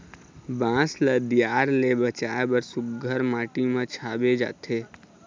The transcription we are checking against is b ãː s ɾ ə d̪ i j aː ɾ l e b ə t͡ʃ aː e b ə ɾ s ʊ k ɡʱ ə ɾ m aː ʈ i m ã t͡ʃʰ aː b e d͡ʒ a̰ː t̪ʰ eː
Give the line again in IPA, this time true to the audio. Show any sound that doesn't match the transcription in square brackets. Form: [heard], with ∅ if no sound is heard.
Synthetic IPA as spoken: b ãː s [l] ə d̪ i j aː ɾ l e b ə t͡ʃ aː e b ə ɾ s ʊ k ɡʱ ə ɾ m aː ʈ i m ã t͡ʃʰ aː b e d͡ʒ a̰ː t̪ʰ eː